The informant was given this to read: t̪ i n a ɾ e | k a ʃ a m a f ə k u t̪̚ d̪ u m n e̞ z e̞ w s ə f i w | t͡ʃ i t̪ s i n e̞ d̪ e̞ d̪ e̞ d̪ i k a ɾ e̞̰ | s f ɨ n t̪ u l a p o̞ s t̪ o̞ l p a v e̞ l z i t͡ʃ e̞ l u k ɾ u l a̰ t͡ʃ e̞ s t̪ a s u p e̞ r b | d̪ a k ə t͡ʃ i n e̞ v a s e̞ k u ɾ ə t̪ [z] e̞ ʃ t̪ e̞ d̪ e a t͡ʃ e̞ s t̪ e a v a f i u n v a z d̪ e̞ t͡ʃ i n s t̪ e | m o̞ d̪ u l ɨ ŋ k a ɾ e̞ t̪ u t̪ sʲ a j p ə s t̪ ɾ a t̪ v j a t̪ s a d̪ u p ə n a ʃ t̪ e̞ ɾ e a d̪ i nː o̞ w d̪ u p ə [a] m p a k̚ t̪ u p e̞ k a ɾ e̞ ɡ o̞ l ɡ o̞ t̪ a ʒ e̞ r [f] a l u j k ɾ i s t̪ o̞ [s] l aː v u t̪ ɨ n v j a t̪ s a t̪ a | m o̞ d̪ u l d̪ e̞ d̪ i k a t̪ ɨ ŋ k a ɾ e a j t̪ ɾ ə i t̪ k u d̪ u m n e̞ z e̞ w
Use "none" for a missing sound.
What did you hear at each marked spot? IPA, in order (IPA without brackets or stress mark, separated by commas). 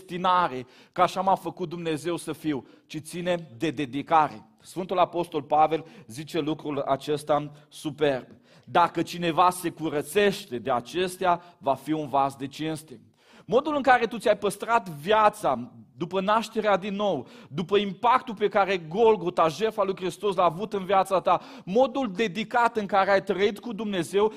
s, i, f, s